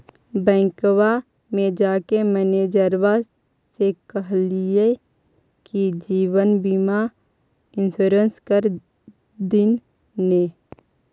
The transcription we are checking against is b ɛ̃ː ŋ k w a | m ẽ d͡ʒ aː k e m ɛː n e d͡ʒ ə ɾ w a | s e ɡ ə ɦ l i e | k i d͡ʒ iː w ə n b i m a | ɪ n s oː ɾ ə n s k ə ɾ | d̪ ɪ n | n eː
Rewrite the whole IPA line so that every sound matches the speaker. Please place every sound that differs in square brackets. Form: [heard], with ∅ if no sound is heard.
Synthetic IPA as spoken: b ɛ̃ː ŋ k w a | m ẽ d͡ʒ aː k e m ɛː n e d͡ʒ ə ɾ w a | s e [k] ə ɦ l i e | k i d͡ʒ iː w ə n b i m a | ɪ n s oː ɾ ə n s k ə ɾ | d̪ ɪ n | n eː

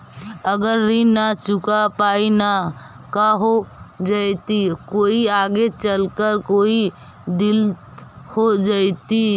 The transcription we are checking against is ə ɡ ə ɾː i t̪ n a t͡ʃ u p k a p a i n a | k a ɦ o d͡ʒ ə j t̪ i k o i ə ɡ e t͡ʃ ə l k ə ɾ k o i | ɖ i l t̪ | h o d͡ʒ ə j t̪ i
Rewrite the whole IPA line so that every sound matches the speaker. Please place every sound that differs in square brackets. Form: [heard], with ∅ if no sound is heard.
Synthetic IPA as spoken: ə ɡ ə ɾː i [∅] n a t͡ʃ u [∅] k a p a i n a | k a ɦ o d͡ʒ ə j t̪ i k o i [a] ɡ e t͡ʃ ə l k ə ɾ k o i | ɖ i l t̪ | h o d͡ʒ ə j t̪ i

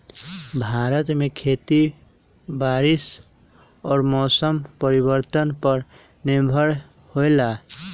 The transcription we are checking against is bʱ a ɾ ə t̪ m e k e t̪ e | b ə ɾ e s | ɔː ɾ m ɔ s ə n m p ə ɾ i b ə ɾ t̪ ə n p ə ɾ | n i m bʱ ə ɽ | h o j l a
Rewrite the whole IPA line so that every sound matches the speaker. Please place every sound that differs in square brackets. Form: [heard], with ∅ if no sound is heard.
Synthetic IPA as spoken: bʱ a ɾ ə t̪ m e [kʰ] e t̪ [i] | b [a] ɾ [i] s | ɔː ɾ m ɔ s ə [∅] m p ə ɾ i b ə ɾ t̪ ə n p ə ɾ | n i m bʱ ə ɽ | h o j l a

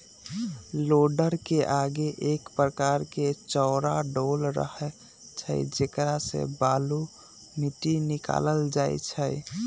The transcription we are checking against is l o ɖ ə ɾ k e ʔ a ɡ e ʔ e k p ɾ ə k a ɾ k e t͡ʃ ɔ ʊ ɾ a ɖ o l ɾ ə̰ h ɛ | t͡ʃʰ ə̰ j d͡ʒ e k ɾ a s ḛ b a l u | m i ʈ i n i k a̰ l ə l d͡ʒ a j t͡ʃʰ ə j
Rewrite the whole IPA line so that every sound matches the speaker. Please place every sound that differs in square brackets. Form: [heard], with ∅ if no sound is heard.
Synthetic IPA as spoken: l o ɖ ə ɾ k e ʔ a ɡ e ʔ e k p ɾ ə k a ɾ k e t͡ʃ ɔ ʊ ɾ a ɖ o l ɾ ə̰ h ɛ | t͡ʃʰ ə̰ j d͡ʒ e k ɾ a s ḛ b a l u | m i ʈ i n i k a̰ l ə l d͡ʒ a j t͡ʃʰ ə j

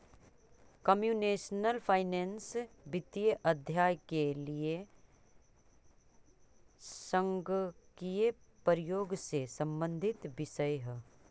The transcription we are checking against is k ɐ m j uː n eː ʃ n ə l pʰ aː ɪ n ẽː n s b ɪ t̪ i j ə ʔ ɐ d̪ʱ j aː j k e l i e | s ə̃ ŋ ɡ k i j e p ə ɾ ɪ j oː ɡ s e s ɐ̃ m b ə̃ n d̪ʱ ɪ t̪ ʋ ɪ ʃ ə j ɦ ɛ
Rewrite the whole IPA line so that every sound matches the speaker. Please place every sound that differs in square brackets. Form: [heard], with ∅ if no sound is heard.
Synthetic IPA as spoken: k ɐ m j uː n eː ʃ n ə l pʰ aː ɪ n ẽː n s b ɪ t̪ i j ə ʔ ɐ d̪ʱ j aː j k e l i e | s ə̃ ŋ ɡ k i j e p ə ɾ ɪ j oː ɡ s e s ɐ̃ m b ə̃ n d̪ʱ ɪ t̪ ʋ ɪ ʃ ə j ɦ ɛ

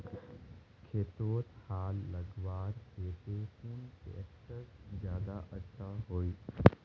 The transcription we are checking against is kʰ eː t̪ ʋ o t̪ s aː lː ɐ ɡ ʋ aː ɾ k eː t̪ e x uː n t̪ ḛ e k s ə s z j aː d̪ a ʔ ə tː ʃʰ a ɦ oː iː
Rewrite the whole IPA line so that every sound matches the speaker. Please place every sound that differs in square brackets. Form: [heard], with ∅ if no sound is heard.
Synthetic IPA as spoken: kʰ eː t̪ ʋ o t̪ [h] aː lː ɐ ɡ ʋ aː ɾ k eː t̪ e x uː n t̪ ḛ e k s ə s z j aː d̪ a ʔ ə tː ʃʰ a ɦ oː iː

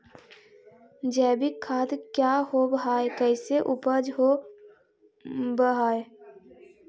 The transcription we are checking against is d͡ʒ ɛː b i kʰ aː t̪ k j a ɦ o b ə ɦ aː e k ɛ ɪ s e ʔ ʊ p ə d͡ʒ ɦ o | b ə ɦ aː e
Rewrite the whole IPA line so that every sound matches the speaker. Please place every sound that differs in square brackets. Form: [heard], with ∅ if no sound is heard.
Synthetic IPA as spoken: d͡ʒ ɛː b i kʰ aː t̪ k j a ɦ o b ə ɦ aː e k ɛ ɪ s e ʔ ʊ p ə d͡ʒ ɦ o | b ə ɦ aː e

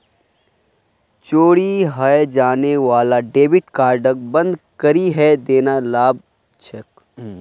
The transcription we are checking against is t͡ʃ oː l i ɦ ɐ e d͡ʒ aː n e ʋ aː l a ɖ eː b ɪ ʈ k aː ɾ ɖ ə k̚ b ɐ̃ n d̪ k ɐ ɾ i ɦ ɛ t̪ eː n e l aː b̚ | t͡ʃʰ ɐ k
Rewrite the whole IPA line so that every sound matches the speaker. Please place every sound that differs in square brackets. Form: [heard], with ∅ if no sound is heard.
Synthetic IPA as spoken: t͡ʃ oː [ɽ] i ɦ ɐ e d͡ʒ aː n e ʋ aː l a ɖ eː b ɪ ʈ k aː ɾ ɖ ə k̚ b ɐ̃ n d̪ k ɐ ɾ i ɦ ɛ [d̪] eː n [a] l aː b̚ | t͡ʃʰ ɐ k

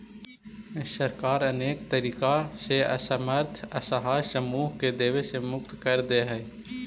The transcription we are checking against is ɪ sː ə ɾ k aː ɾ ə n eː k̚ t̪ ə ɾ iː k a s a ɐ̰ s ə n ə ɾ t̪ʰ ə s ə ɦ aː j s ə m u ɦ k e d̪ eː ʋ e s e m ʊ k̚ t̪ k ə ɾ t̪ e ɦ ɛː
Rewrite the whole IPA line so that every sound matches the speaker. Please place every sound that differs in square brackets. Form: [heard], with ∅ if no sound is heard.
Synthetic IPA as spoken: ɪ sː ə ɾ k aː ɾ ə n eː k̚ t̪ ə ɾ iː k a s [e] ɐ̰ s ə [m] ə ɾ t̪ʰ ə s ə ɦ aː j s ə m [uː] ɦ k e d̪ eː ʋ e s e m ʊ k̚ t̪ k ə ɾ [d̪] e ɦ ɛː

